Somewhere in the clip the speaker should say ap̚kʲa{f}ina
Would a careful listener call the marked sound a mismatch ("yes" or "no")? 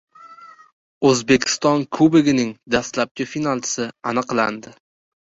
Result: no